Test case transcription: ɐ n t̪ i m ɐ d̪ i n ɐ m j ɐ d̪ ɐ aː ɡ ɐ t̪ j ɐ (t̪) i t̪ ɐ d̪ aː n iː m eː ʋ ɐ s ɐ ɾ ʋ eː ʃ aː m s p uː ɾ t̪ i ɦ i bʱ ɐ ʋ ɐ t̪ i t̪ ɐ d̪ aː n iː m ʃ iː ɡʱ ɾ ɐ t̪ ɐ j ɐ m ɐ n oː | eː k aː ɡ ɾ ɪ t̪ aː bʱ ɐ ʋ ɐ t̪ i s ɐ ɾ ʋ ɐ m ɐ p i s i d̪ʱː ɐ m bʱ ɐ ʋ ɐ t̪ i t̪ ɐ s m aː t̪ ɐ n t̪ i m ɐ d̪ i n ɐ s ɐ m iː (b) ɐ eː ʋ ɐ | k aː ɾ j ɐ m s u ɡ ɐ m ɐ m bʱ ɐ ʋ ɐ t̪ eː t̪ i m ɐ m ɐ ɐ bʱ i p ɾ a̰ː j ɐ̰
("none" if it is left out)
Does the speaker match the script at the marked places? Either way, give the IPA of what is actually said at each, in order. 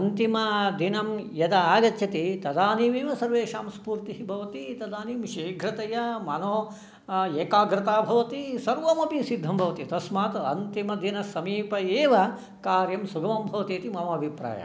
t̪, p

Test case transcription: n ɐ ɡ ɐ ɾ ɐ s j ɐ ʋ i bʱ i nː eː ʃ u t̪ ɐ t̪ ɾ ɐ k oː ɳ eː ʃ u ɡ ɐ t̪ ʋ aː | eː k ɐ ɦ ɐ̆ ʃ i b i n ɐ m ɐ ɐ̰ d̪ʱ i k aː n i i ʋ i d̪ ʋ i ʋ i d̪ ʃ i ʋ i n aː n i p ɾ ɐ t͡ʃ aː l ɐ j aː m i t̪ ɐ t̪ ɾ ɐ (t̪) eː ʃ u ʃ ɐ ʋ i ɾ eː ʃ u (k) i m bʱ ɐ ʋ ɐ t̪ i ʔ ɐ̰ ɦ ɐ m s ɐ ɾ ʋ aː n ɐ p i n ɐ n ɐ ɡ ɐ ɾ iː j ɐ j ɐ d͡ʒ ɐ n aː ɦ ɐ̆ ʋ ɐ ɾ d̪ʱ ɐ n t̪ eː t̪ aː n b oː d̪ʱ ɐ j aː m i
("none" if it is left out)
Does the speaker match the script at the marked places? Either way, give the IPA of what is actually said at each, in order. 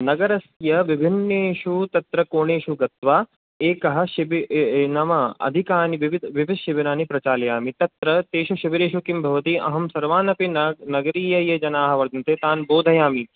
t̪, k

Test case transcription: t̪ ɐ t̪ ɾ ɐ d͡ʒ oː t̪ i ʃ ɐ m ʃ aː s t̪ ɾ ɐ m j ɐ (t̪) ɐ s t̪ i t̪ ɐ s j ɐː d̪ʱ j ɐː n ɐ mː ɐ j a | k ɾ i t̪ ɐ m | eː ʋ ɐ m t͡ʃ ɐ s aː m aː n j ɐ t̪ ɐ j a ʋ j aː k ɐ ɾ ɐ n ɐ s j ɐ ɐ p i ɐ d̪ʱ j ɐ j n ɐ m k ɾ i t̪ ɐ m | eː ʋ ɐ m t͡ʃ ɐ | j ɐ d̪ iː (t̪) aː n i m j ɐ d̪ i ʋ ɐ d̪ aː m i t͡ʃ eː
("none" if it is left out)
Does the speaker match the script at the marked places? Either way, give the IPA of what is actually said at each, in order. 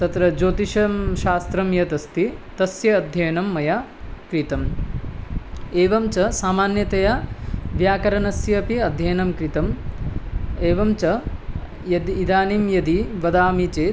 t̪, d̪

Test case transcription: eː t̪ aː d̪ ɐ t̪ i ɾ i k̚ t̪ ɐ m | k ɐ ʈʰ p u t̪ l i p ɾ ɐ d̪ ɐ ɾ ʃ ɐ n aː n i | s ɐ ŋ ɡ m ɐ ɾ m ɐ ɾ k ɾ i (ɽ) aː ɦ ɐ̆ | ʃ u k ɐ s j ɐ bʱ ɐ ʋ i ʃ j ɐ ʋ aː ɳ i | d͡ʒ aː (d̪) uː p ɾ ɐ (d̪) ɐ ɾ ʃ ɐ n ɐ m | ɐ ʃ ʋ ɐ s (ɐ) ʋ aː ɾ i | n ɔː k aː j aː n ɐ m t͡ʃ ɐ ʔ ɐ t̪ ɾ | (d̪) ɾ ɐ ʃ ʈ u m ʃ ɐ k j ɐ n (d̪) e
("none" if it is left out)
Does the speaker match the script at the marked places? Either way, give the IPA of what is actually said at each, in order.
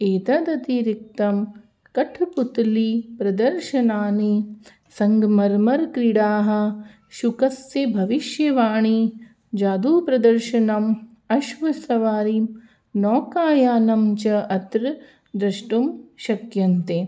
ɽ, d̪, d̪, ɐ, d̪, t̪

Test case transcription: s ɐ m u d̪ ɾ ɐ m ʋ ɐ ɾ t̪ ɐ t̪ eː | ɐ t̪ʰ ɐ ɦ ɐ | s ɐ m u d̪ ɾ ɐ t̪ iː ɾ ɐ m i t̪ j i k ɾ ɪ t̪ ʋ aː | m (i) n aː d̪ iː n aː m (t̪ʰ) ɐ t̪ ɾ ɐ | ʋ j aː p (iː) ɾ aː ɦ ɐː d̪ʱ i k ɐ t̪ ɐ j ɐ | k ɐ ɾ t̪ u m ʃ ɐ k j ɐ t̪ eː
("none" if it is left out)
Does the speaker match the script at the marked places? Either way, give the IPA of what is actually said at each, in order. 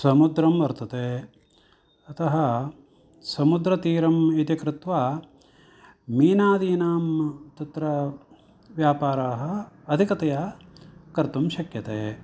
iː, t̪, aː

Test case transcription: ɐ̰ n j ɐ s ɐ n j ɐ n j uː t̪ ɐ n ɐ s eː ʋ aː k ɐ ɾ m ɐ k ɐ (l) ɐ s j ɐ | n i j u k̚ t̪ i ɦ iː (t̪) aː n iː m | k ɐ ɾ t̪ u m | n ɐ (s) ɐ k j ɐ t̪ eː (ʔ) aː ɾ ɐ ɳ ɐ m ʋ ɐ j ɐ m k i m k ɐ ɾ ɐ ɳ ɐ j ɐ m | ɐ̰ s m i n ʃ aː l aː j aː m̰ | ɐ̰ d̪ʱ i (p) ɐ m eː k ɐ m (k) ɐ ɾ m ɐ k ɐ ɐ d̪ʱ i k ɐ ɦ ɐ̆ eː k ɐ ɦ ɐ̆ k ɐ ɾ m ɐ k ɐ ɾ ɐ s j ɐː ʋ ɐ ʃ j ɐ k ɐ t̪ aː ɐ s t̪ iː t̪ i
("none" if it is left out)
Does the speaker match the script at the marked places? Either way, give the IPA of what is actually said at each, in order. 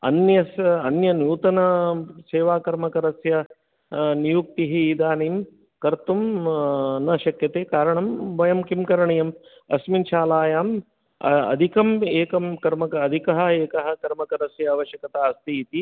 ɾ, d̪, ʃ, k, k, k

